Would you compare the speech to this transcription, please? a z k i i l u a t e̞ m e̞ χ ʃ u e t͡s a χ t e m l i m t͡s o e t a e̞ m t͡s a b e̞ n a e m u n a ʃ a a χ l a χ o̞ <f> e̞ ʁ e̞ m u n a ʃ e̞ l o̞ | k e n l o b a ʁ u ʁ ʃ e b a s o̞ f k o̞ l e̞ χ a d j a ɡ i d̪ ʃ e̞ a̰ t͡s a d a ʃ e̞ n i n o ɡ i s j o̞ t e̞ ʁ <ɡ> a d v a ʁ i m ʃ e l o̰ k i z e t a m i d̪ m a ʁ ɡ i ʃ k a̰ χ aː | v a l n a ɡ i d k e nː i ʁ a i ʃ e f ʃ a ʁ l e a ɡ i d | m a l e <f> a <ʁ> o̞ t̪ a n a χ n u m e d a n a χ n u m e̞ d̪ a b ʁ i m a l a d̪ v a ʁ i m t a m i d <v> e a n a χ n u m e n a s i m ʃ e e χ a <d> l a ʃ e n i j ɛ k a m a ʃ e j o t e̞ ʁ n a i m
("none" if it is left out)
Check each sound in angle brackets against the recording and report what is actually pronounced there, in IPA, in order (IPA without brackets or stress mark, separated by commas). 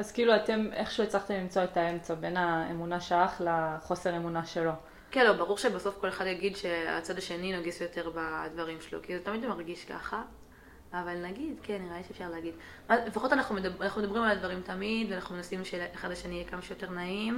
s, b, f, χ, v, d